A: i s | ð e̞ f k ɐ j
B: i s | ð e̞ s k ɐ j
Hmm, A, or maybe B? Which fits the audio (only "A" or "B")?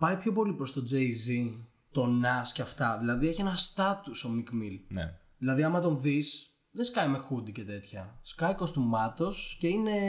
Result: B